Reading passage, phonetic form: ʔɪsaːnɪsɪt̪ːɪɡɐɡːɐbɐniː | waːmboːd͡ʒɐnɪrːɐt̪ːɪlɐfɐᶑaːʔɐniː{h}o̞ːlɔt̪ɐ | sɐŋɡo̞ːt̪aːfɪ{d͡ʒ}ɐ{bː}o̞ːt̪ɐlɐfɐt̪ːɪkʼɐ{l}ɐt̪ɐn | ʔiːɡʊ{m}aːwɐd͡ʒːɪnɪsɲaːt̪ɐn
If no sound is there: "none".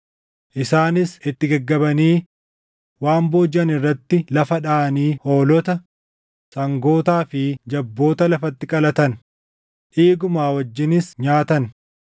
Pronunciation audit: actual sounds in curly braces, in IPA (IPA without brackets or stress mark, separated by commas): h, d͡ʒ, bː, l, m